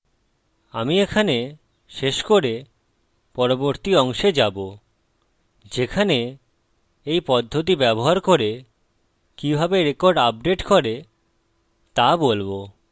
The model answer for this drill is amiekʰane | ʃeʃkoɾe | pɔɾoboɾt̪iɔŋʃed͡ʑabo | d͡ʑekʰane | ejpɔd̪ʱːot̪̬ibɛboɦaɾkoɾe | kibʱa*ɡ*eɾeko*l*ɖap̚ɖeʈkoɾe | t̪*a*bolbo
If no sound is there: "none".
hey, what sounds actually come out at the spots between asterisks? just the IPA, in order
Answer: b, ɾ, a

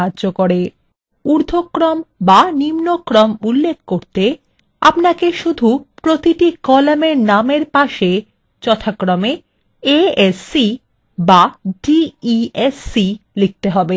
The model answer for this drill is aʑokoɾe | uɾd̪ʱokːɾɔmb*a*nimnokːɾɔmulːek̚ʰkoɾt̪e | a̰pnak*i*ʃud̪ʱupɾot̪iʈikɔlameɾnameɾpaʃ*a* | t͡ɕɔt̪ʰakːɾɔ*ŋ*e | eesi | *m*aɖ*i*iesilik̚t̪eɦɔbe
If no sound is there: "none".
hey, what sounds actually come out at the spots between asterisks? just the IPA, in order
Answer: a, e, e, m, b, i

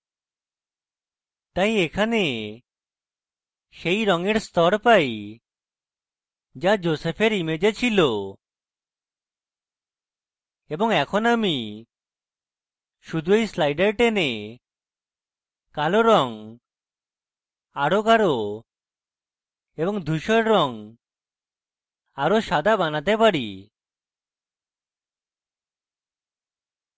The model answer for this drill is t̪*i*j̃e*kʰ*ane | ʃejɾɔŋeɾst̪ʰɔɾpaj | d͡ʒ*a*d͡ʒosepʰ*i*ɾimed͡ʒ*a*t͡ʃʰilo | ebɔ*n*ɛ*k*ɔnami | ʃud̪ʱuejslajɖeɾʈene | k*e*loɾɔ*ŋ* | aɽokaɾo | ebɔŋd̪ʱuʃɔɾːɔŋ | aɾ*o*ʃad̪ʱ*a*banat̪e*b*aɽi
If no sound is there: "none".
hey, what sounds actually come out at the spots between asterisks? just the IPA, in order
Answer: a, kʰ, a, e, e, ŋ, kʰ, a, ŋ, o, a, p

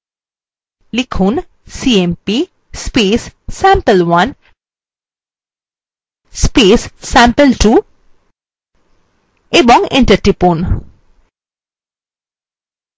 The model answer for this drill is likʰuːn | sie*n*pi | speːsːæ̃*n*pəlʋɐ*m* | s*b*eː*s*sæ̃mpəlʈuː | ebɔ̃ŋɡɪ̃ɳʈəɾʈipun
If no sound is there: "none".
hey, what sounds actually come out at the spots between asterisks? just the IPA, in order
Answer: m, m, n, p, s

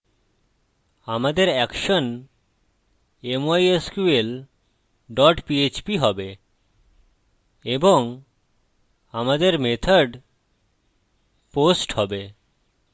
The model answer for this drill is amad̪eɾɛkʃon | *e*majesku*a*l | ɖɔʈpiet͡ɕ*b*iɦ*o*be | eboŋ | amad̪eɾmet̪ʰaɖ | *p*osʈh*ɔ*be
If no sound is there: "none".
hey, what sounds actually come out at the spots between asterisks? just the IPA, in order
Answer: e, e, p, ɔ, p, ɔ

